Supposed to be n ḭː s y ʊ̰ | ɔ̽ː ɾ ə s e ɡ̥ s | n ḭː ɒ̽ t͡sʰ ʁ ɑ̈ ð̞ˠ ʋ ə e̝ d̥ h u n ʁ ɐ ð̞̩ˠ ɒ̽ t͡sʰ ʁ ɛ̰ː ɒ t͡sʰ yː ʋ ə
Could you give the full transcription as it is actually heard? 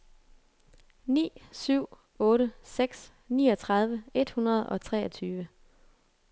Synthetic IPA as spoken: n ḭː s y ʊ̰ | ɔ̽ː ɾ ə s e ɡ̥ s | n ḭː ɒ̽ t͡sʰ ʁ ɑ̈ ð̞ˠ ʋ ə e̝ d̥ h u n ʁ ɐ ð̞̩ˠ ɒ̽ t͡sʰ ʁ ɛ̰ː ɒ t͡sʰ yː ʋ ə

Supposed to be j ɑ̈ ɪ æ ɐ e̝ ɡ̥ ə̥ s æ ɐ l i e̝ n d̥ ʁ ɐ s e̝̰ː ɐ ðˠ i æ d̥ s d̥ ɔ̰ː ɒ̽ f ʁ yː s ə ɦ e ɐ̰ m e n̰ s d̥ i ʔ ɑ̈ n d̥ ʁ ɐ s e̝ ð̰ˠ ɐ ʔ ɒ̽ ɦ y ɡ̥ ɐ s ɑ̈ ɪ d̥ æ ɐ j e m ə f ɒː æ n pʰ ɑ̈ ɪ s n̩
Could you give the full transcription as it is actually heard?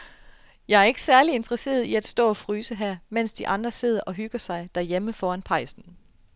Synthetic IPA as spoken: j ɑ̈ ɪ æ ɐ e̝ ɡ̥ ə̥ s æ ɐ l i e̝ n d̥ ʁ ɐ s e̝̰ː ɐ ðˠ i æ d̥ s d̥ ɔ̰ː ɒ̽ f ʁ yː s ə ɦ æ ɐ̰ m e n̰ s d̥ i ʔ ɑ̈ n d̥ ʁ ɐ s e̝ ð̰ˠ ɐ ʔ ɒ̽ ɦ y ɡ̥ ɐ s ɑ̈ ɪ d̥ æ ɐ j e m ə f ɒː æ n pʰ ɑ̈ ɪ s n̩

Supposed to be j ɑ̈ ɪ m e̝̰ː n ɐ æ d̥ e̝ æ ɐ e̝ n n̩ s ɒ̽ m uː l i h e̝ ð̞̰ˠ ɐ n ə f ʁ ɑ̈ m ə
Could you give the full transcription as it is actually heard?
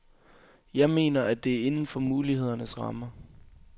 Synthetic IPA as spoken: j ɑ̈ ɪ m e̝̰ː n ɐ æ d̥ e̝ æ ɐ e̝ n n̩ f ɒ̽ m uː l i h e̝ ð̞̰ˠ ɐ n ə s ʁ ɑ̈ m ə

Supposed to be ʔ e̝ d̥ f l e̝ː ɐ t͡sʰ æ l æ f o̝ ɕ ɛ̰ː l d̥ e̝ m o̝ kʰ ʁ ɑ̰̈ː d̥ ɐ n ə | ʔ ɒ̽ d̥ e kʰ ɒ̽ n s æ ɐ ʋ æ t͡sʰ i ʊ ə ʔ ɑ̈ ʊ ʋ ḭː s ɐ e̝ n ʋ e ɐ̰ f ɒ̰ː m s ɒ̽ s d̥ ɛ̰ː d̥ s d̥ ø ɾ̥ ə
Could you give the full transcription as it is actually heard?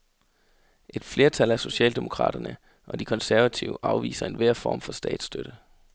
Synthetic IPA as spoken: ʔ e̝ d̥ f l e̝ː ɐ t͡sʰ æ l æ s o̝ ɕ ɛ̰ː l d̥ e̝ m o̝ kʰ ʁ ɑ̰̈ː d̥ ɐ n ə | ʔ ɒ̽ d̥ i kʰ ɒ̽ n s æ ɐ ʋ æ t͡sʰ i ʊ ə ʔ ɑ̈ ʊ ʋ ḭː s ɐ e̝ n ʋ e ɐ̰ f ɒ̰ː m f ɒ̽ s d̥ ɛ̰ː d̥ s d̥ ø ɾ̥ ə

